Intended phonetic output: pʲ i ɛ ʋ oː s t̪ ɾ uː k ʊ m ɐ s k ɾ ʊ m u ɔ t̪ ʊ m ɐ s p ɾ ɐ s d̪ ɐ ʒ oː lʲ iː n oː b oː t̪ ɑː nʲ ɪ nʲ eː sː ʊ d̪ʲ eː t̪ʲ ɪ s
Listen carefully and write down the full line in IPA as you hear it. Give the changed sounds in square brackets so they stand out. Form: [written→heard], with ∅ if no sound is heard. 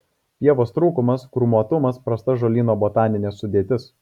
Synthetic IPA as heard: pʲ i ɛ ʋ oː s t̪ ɾ uː k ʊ m ɐ s k ɾ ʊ m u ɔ t̪ ʊ m ɐ s p ɾ ɐ s [d̪→t̪] ɐ ʒ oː lʲ iː n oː b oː t̪ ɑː nʲ ɪ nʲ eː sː ʊ d̪ʲ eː t̪ʲ ɪ s